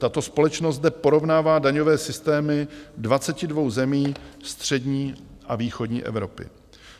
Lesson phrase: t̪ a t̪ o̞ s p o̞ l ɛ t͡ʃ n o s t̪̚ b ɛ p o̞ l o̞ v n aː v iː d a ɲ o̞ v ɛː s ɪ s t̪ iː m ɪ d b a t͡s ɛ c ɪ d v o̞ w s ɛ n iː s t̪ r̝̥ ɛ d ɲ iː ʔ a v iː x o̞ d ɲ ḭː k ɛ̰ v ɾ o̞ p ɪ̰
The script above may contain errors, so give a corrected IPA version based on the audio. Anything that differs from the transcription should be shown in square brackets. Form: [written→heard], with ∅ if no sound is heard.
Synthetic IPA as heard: t̪ a t̪ o̞ s p o̞ l ɛ t͡ʃ n o s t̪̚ [b→d] ɛ p o̞ [l→ɾ] o̞ v n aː v [iː→aː] d a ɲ o̞ v ɛː s ɪ s t̪ [iː→ɛː] m ɪ d [b→v] a t͡s ɛ c ɪ d v o̞ w [s→z] ɛ [n→m] iː s t̪ r̝̥ ɛ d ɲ iː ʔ a v iː x o̞ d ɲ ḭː [k→ʔ] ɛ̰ v ɾ o̞ p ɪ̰